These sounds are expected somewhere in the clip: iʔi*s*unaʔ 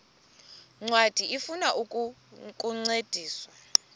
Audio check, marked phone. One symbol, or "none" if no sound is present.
f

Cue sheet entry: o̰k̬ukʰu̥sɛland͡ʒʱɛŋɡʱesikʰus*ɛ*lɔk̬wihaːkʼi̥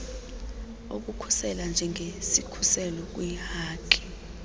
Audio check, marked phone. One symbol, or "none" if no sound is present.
ɛ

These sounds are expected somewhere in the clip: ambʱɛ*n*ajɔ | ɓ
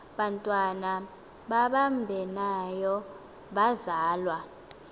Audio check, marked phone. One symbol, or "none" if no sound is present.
n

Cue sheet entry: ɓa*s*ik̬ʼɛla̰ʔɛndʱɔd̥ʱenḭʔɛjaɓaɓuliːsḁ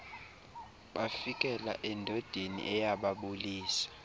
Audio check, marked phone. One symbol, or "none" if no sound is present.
f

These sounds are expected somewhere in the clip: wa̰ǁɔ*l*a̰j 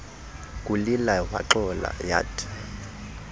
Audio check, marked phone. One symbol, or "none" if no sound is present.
l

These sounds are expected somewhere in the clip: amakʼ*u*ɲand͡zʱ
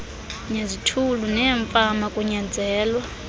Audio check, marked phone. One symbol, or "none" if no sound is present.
u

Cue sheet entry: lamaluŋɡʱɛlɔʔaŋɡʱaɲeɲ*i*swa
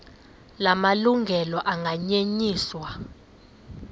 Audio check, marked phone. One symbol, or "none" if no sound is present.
iː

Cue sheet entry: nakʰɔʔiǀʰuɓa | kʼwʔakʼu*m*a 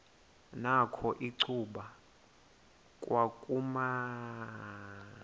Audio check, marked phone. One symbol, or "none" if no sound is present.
m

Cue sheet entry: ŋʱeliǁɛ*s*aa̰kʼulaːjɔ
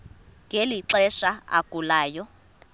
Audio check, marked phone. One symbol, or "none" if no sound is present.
ʃ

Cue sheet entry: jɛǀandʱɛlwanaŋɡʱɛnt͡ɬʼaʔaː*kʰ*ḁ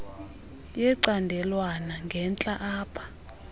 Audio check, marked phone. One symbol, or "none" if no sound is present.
pʰ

